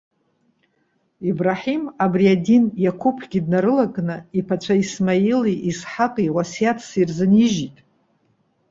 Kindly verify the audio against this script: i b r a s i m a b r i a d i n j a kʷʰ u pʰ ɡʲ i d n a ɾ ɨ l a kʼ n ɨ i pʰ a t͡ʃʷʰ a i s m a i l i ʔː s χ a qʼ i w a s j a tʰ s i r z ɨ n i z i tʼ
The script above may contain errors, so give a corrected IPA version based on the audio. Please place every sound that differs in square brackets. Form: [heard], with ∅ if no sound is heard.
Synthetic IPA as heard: i b r a [ħ] i m a b r i a d i n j a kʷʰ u pʰ ɡʲ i d n a ɾ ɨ l a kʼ n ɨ i pʰ a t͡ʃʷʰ a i s m a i l i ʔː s [ħ] a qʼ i w a s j a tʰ s i r z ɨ n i [ʒ] i tʼ